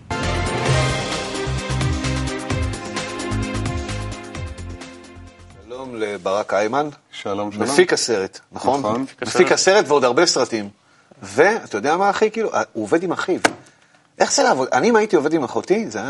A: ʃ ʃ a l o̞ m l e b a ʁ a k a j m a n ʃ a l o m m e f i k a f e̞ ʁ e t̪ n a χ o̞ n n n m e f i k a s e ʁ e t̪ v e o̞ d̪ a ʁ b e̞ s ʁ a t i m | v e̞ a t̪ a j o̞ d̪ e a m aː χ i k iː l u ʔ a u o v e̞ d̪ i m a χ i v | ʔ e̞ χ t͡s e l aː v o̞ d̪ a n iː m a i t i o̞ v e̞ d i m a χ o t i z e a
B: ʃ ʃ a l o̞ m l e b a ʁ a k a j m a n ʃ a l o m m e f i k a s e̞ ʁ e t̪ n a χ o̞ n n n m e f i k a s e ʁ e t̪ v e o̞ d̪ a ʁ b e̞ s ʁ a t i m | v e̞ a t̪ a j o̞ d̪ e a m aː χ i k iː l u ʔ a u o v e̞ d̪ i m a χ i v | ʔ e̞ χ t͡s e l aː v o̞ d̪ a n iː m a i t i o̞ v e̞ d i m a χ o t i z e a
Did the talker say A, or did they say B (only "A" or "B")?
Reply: B